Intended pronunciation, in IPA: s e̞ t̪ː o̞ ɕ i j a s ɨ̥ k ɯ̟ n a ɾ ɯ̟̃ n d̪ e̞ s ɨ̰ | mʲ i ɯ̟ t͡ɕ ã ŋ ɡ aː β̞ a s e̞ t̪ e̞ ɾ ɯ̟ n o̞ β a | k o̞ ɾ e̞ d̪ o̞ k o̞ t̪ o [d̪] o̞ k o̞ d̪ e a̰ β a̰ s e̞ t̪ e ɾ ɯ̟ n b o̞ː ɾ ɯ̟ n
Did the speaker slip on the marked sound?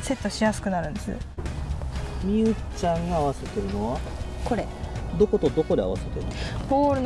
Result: no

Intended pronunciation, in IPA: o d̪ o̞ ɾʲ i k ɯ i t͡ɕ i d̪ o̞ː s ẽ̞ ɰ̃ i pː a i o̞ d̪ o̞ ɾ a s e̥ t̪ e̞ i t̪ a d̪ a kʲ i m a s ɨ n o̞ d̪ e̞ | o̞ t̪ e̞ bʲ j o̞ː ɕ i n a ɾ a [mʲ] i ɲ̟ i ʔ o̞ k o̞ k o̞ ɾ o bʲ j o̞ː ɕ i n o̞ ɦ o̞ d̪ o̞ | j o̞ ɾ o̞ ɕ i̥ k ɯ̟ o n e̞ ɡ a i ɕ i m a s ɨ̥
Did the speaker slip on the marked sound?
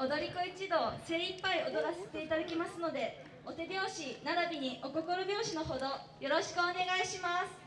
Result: yes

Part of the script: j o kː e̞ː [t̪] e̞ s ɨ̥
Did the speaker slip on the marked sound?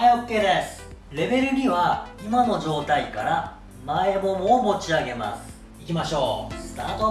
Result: yes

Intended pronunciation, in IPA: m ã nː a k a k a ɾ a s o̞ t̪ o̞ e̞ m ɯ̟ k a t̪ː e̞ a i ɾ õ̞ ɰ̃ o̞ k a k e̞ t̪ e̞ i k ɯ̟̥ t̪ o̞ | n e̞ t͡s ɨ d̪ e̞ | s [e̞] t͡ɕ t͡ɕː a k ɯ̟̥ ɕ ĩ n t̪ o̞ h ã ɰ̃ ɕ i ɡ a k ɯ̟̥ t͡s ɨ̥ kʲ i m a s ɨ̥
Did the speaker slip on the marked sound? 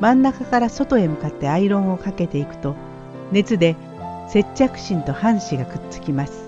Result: no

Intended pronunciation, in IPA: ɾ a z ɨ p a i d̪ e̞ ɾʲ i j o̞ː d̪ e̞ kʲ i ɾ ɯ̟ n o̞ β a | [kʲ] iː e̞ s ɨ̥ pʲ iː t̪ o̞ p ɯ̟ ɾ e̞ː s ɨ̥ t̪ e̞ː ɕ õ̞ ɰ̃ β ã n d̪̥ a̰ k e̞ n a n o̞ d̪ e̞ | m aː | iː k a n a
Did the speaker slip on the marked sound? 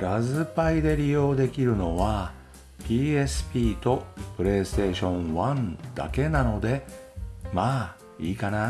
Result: yes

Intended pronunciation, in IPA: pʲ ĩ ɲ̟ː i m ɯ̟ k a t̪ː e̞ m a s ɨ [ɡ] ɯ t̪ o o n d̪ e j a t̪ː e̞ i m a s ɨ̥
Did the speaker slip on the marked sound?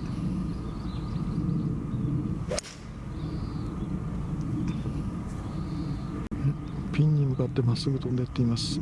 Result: no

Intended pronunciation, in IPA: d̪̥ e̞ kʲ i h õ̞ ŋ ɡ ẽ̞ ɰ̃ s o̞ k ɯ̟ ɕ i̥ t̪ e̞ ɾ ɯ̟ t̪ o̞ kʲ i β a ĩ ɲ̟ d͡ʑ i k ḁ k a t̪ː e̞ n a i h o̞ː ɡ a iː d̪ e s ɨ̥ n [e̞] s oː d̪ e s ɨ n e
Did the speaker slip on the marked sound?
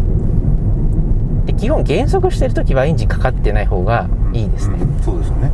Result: no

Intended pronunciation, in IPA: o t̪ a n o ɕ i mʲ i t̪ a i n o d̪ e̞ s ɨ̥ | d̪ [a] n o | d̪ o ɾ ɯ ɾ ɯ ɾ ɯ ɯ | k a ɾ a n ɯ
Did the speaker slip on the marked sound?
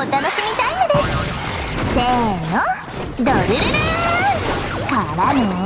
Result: yes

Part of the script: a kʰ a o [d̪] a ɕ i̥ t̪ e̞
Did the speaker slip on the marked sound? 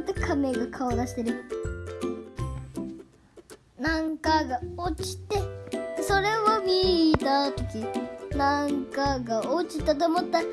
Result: no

